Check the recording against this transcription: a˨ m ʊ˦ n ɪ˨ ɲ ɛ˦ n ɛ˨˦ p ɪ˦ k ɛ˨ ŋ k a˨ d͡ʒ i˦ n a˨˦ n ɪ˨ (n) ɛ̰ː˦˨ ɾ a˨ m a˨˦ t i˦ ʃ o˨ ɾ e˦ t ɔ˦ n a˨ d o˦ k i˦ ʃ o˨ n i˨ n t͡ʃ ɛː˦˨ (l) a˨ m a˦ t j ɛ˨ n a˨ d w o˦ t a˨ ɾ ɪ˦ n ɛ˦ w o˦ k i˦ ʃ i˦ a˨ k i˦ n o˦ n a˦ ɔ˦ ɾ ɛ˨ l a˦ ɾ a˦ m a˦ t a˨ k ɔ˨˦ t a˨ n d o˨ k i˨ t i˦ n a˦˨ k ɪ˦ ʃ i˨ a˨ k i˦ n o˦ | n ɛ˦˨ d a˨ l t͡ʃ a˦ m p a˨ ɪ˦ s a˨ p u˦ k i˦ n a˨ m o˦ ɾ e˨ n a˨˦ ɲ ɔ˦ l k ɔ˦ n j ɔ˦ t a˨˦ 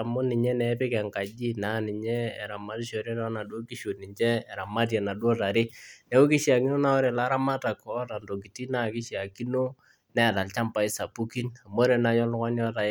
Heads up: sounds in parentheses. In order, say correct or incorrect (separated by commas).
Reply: incorrect, incorrect